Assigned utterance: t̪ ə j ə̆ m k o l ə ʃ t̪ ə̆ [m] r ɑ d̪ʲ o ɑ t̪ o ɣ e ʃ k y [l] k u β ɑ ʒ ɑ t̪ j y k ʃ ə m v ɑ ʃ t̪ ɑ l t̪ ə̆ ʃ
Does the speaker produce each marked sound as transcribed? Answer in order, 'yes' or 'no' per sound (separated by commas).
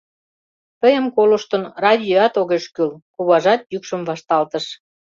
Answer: no, yes